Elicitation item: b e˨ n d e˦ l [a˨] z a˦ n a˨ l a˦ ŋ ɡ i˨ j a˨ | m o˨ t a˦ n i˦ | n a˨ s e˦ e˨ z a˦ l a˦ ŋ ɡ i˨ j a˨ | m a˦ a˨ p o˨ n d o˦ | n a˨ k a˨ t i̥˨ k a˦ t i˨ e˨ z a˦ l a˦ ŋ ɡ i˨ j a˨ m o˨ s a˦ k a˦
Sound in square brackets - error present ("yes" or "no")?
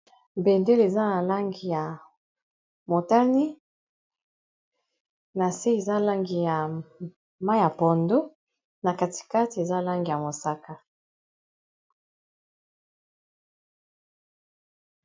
yes